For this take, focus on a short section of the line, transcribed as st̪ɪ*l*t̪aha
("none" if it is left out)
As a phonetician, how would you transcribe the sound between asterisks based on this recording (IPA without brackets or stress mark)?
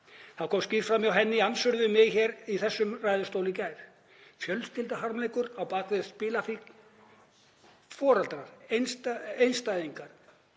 l